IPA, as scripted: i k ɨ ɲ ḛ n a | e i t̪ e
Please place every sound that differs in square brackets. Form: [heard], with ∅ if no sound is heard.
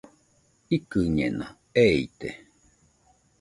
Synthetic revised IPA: i k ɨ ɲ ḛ n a | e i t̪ e